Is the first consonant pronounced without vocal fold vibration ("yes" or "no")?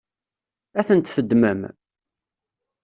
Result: yes